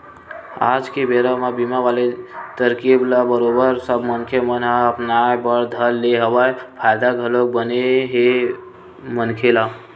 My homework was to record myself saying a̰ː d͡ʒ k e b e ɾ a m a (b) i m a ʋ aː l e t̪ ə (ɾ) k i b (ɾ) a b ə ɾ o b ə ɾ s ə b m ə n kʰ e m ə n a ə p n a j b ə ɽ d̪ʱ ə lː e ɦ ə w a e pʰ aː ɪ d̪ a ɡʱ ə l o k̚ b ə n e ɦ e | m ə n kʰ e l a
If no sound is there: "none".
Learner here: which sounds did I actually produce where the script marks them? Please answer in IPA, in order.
b, ɾ, l

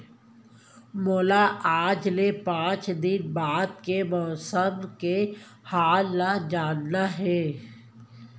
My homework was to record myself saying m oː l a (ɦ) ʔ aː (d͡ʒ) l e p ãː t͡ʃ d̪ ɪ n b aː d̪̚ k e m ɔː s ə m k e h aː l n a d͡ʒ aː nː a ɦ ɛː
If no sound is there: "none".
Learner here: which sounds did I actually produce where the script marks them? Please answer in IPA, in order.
none, d͡ʒ

